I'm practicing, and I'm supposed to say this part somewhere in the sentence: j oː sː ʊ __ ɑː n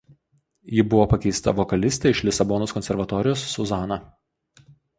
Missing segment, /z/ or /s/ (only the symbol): z